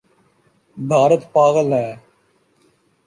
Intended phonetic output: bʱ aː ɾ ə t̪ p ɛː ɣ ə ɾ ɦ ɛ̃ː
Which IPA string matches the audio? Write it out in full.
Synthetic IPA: bʱ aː ɾ ə t̪ p aː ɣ ə l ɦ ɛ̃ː